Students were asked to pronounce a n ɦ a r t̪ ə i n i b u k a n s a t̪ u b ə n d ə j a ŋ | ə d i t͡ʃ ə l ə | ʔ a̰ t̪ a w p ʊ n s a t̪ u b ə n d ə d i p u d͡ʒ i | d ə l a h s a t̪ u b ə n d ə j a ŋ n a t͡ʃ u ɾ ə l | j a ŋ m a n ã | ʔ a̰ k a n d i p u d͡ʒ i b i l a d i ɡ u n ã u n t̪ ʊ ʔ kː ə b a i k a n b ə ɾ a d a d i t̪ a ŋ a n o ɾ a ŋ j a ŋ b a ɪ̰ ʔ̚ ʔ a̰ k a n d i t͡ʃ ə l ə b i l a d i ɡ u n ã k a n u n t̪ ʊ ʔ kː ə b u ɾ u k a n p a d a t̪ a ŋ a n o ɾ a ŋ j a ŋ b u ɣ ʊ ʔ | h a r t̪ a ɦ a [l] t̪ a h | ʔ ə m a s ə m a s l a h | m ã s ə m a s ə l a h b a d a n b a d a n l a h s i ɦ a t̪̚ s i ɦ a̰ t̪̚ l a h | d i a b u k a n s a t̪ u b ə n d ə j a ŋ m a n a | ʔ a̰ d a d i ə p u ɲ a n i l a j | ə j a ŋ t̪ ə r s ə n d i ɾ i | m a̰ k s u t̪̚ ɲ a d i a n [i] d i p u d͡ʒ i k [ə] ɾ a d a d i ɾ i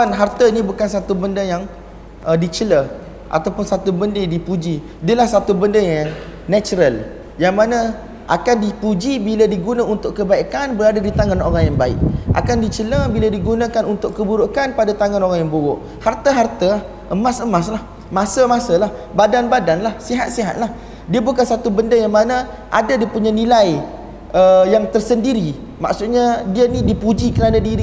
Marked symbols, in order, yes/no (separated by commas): no, yes, yes